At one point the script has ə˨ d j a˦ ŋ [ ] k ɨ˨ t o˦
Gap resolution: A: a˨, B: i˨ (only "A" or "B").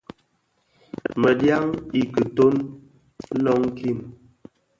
B